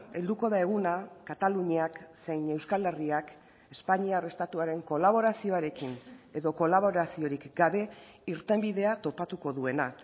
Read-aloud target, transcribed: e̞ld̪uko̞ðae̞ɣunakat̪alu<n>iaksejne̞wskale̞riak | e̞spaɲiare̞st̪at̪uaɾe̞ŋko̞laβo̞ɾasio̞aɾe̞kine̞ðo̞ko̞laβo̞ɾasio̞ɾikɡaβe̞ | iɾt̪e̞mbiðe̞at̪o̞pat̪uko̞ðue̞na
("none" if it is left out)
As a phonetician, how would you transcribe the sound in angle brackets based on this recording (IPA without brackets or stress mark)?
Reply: ɲ